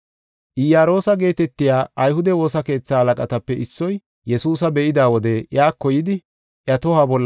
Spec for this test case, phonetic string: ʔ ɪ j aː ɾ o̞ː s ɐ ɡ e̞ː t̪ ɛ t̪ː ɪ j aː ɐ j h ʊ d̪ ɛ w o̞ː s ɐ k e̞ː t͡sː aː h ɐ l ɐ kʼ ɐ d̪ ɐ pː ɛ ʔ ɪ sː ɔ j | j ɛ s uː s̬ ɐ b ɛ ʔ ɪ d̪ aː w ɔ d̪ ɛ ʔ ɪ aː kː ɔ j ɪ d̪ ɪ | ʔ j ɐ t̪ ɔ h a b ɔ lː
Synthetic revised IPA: ʔ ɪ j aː ɾ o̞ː s ɐ ɡ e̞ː t̪ ɛ t̪ː ɪ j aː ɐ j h ʊ d̪ ɛ w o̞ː s ɐ k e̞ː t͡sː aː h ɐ l ɐ kʼ ɐ t̪ ɐ pː ɛ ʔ ɪ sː ɔ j | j ɛ s uː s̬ ɐ b ɛ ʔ ɪ d̪ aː w ɔ d̪ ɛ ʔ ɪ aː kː ɔ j ɪ d̪ ɪ | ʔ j ɐ t̪ ɔ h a b ɔ lː